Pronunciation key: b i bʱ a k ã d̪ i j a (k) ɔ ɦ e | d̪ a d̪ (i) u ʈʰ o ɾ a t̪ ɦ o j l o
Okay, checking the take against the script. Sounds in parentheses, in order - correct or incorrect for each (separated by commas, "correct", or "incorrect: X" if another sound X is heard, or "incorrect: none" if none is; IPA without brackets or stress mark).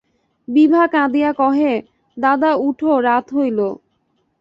correct, incorrect: a